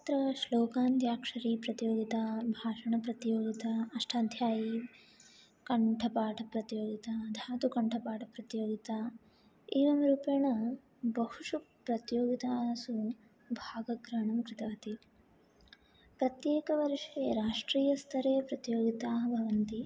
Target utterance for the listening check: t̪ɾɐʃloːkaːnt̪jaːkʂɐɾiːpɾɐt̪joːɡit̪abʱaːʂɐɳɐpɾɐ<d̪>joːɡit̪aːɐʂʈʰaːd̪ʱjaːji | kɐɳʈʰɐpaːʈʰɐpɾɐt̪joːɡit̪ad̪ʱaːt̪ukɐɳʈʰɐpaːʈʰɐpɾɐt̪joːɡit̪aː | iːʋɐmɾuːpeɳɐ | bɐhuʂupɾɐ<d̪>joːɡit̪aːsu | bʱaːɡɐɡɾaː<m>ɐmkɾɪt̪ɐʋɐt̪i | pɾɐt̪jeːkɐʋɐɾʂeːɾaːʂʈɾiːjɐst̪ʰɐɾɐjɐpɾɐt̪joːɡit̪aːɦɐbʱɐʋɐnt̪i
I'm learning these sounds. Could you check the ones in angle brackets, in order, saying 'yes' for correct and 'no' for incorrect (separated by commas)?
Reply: no, no, no